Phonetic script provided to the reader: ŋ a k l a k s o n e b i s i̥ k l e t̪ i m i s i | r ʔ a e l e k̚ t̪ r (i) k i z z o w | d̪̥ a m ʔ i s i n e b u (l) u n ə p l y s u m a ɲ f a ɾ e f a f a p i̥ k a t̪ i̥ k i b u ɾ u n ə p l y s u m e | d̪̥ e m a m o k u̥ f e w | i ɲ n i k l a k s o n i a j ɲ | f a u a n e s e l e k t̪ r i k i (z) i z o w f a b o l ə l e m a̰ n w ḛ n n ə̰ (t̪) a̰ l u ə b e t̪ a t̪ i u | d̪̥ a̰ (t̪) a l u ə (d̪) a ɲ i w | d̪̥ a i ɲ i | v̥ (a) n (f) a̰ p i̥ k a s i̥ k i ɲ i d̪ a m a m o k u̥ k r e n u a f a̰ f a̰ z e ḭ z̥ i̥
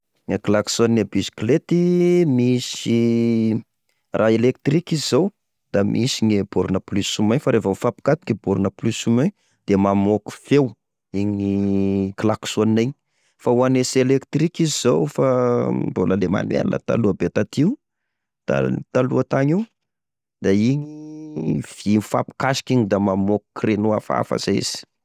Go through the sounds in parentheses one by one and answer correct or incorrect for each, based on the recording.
correct, incorrect, correct, correct, correct, incorrect, incorrect, correct

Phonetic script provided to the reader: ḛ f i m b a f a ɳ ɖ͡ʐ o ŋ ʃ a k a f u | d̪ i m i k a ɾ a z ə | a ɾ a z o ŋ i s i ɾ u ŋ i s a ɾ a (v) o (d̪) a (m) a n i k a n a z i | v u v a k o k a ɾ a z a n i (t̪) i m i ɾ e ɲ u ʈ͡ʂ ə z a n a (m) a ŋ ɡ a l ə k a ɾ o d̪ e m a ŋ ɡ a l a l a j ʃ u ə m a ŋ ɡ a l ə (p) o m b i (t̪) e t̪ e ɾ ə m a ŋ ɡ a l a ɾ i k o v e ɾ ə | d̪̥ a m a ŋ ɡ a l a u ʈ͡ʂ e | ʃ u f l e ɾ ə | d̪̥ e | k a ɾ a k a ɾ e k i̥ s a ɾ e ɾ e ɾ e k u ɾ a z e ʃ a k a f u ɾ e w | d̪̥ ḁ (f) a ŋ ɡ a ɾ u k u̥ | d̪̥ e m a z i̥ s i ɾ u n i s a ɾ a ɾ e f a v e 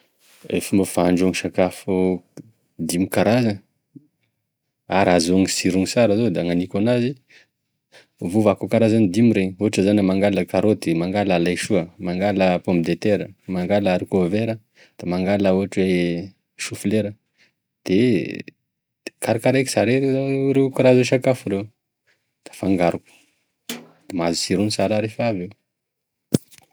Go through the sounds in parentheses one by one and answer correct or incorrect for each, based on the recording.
incorrect, correct, incorrect, incorrect, correct, correct, incorrect, correct

